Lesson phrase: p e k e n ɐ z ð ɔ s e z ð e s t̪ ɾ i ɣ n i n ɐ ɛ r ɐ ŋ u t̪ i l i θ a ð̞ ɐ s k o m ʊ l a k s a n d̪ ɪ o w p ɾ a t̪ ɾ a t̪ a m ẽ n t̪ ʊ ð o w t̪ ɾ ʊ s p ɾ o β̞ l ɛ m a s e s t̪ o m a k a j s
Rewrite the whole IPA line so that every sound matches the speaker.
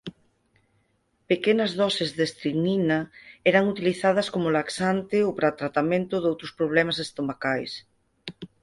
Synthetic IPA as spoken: p e k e n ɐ z ð ɔ s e z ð e s t̪ ɾ i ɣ n i n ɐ ɛ ɾ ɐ ŋ u t̪ i l i θ a ð̞ ɐ s k o m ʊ l a k s a n t̪ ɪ o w p ɾ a t̪ ɾ a t̪ a m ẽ n t̪ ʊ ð o w t̪ ɾ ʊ s p ɾ o β̞ l ɛ m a s e s t̪ o m a k a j s

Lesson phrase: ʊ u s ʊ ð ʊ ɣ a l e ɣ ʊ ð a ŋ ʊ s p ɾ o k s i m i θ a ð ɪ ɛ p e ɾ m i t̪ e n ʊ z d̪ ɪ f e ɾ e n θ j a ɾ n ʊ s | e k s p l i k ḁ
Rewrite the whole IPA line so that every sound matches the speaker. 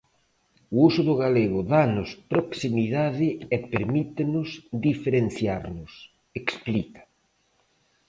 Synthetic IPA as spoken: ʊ u s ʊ ð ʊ ɣ a l e ɣ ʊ ð a n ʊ s p ɾ o k s i m i ð a ð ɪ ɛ p e ɾ m i t̪ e n ʊ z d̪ i f e ɾ e n θ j a ɾ n ʊ s | e k s p l i k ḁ

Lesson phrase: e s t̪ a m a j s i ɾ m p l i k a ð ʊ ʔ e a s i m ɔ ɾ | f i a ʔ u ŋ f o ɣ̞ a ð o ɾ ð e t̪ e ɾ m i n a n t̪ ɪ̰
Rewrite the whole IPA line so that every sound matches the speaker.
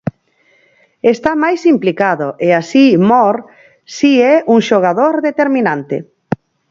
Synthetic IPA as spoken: e s t̪ a m a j s i m p l i k a ð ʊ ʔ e a s i m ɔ ɾ | s i ɛ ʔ u ŋ ʃ o ɣ̞ a ð o ɾ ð e t̪ e ɾ m i n a n t̪ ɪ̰

